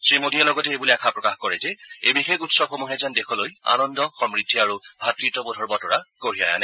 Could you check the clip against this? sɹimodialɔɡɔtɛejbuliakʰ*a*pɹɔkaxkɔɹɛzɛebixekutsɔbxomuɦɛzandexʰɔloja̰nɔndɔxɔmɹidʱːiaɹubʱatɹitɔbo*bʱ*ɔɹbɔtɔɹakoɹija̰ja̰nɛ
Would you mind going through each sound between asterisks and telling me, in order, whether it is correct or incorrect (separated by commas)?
correct, incorrect